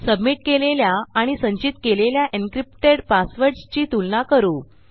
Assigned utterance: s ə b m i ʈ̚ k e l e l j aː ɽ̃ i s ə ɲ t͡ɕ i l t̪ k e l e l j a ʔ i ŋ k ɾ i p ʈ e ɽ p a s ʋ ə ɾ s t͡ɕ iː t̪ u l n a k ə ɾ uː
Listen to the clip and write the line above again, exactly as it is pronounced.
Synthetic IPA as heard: s ə b m i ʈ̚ k e l e l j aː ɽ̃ i s ə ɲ t͡ɕ i t̪ k e l e l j a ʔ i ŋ k ɾ i p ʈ e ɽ p a s ʋ ə ɾ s t͡ɕ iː t̪ u l n a k ə ɾ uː